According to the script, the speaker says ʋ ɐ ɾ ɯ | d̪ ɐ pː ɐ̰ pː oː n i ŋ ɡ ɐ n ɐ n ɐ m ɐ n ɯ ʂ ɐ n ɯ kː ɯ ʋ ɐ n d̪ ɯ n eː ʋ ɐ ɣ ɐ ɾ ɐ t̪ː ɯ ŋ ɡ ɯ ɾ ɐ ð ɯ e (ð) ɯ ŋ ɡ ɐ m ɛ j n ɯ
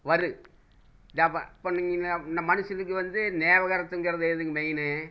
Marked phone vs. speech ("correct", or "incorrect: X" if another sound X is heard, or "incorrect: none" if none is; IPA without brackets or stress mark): correct